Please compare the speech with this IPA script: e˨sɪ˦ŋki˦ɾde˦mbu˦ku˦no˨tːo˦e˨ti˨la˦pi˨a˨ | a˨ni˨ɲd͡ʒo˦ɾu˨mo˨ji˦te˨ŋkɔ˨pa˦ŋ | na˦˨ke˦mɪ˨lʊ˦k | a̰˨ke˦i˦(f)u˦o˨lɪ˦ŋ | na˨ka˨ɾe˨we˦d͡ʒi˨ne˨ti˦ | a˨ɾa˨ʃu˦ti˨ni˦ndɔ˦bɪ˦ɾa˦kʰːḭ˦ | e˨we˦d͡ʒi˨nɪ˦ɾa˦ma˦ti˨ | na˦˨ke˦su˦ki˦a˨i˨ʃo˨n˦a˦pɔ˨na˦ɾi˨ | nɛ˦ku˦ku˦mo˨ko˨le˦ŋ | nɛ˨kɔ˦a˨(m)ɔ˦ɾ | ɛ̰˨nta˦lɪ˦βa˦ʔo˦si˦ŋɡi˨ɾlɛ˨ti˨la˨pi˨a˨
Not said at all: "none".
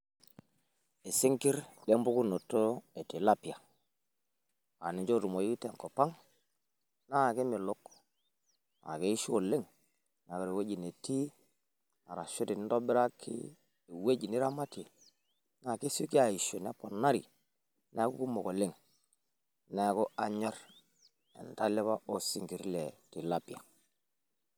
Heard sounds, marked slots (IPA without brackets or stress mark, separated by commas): ʃ, ɲ